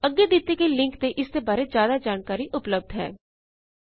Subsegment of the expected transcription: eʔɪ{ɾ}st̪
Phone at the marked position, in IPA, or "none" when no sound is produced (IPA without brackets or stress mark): none